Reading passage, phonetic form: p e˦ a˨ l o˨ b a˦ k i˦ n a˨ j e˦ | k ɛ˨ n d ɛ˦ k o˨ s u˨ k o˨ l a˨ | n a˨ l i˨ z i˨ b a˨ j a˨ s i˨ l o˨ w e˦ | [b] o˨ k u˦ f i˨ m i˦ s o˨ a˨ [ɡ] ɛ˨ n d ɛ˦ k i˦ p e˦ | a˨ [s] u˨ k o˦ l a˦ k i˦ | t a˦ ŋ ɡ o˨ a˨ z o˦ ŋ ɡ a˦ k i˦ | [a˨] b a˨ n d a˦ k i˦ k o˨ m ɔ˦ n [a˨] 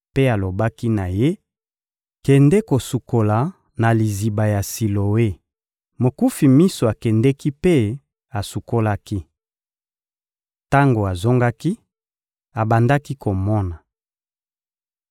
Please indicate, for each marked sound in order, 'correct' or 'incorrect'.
incorrect: m, incorrect: k, correct, correct, correct

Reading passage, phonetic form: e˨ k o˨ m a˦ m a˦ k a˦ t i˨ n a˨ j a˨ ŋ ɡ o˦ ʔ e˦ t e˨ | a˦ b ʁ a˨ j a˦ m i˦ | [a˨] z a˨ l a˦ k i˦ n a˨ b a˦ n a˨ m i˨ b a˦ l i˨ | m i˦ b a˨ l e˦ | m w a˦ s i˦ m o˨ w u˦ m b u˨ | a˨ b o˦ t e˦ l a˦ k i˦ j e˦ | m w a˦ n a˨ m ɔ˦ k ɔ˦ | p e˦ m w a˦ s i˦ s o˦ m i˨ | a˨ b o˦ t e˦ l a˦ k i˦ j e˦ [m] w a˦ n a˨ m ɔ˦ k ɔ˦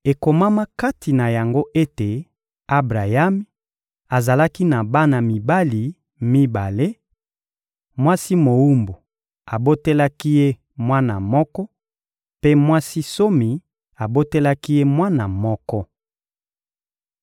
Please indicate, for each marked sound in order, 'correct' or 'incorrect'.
correct, correct

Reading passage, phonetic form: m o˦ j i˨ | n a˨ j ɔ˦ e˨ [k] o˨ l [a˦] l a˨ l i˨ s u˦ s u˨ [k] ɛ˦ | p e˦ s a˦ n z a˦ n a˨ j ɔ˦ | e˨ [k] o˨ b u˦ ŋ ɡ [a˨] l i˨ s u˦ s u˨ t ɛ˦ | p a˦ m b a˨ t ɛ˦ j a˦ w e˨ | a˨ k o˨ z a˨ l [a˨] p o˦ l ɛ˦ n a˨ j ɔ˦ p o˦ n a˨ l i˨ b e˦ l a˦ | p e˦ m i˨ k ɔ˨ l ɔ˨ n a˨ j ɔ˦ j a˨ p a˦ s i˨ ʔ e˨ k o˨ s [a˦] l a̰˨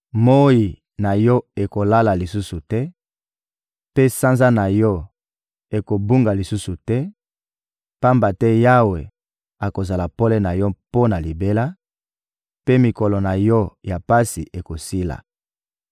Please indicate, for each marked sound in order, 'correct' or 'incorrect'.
correct, correct, incorrect: t, correct, correct, correct, incorrect: i˦

